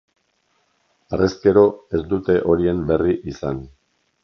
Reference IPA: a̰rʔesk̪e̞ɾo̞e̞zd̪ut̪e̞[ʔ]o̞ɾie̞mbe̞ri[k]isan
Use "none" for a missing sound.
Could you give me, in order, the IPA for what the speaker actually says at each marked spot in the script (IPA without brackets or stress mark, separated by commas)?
ʔ, ʔ